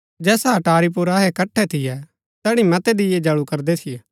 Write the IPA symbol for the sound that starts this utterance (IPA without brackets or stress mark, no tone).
d͡ʒ